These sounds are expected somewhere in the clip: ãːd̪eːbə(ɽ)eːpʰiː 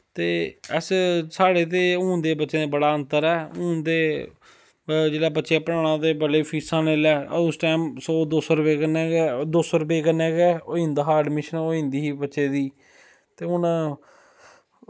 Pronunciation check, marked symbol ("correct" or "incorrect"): incorrect